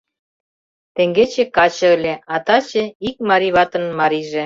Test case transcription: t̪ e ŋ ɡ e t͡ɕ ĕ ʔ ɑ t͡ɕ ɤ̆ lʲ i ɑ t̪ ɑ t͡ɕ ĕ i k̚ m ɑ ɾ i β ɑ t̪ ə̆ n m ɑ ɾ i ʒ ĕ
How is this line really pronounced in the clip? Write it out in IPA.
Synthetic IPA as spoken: t̪ e ŋ ɡ e t͡ɕ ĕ k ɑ t͡ɕ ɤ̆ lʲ e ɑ t̪ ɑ t͡ɕ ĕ i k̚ m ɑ ɾ i β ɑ t̪ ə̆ n m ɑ ɾ i ʒ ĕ